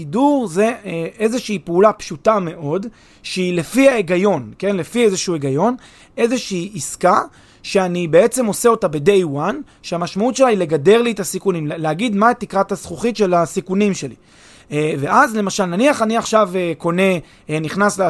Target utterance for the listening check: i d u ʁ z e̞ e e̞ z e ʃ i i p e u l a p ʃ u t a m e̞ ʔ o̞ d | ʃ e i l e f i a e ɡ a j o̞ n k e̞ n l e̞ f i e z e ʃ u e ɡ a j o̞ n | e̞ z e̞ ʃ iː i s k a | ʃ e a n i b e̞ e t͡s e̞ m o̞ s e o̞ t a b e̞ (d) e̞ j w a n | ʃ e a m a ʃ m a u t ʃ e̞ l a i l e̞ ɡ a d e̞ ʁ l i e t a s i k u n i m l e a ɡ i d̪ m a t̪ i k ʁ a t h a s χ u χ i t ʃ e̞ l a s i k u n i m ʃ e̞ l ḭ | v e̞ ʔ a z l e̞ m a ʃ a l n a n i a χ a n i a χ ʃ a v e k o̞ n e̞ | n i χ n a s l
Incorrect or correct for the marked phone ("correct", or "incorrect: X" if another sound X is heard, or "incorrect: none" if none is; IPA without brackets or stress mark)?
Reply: correct